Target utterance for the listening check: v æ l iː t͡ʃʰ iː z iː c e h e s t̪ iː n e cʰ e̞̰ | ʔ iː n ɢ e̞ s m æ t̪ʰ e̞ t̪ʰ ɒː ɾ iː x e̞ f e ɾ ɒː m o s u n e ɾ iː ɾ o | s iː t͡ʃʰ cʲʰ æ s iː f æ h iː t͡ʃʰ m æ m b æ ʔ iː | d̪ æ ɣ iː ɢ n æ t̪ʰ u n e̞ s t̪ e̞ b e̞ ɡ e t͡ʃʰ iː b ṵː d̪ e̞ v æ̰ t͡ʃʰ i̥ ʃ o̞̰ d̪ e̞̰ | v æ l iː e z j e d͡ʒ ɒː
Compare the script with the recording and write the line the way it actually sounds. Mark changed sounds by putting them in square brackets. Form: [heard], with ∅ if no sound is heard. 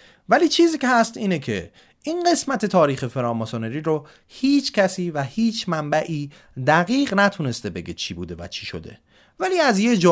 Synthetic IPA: v æ l iː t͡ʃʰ iː z iː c e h [æ] s t̪ iː n e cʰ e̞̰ | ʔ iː n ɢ e̞ s m æ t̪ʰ e̞ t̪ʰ ɒː ɾ iː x e̞ f e ɾ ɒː m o s [o] n e ɾ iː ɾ o | [h] iː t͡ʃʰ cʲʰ æ s iː [v] æ h iː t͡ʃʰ m æ m b æ ʔ iː | d̪ æ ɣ iː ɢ n æ t̪ʰ u n e̞ s t̪ e̞ b e̞ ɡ e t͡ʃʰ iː b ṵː d̪ e̞ v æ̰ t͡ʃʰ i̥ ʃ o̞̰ d̪ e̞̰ | v æ l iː [æ] z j e d͡ʒ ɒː